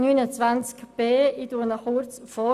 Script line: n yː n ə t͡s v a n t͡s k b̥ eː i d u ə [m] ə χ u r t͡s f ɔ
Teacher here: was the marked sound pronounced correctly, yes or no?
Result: no